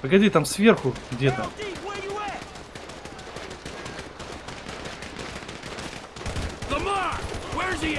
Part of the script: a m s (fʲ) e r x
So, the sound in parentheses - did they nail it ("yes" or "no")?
no